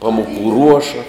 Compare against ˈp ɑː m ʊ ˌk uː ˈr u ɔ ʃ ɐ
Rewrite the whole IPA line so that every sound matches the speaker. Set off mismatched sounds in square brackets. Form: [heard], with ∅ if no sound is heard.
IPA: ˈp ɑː m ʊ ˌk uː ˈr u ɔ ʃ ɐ